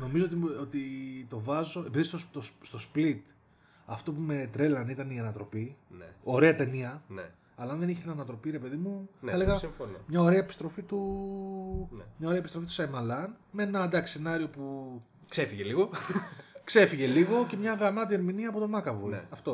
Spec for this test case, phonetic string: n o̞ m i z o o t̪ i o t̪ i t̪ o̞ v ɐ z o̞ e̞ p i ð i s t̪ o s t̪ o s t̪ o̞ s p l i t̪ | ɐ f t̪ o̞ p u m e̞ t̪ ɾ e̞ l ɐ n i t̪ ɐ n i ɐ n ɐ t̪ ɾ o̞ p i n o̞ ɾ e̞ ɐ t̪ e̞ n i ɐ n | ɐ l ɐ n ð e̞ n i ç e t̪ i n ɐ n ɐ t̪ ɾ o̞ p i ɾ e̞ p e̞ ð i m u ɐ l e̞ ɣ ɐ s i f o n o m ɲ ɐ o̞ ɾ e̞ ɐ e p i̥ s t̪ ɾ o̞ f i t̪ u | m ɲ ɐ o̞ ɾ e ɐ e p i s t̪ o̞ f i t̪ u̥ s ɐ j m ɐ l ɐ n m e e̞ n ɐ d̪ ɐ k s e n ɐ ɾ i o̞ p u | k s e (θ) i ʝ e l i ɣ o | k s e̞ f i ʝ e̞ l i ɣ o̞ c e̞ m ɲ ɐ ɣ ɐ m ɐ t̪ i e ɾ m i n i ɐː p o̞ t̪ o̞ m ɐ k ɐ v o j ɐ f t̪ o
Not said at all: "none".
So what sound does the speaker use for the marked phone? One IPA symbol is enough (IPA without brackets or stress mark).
f